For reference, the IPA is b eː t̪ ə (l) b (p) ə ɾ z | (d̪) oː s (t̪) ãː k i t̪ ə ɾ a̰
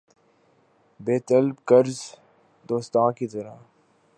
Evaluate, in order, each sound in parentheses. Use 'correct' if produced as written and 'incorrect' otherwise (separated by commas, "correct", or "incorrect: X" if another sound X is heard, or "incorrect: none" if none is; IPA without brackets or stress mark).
correct, incorrect: k, correct, correct